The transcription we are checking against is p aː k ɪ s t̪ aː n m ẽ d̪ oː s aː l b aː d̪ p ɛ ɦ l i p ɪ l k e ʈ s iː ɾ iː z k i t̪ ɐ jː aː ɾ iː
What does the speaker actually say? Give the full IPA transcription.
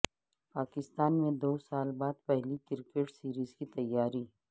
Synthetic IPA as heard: p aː k ɪ s t̪ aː n m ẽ d̪ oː s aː l b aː d̪ p ɛ ɦ l i k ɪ ɾ k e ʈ s iː ɾ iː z k i t̪ ɐ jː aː ɾ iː